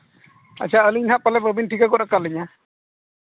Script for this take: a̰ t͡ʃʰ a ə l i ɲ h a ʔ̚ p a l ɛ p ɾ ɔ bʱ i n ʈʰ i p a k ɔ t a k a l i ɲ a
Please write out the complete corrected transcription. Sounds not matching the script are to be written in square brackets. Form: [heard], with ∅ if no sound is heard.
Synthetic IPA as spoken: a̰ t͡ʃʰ a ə l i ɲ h a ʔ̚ p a l ɛ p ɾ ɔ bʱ i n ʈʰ i [k] a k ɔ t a k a l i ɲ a